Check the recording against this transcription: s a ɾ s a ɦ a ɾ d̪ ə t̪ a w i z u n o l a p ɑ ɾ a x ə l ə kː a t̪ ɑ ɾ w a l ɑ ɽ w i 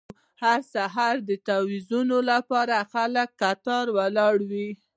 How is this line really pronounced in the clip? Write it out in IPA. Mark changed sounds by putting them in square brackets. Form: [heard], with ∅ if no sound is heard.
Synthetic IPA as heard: [h] a ɾ s a ɦ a ɾ d̪ ə t̪ a w i z u n o l a p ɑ ɾ a x [a] l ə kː a t̪ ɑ ɾ w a l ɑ ɽ w i